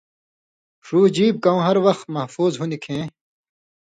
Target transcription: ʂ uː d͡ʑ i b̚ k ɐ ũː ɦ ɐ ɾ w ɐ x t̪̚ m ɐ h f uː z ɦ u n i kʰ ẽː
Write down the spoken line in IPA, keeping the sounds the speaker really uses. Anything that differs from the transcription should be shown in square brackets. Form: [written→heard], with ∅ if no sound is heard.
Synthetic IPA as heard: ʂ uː d͡ʑ [i→iː] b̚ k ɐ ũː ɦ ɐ ɾ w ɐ x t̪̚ m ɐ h f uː z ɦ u n i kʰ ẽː